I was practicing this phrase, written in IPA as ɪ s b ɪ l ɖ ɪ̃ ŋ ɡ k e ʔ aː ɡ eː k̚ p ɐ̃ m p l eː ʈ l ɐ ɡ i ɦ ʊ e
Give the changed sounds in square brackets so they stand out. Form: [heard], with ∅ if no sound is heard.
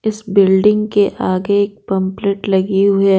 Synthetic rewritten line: ɪ s b ɪ l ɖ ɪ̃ ŋ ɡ k e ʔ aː ɡ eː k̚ p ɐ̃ m p l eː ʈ l ɐ ɡ i ɦ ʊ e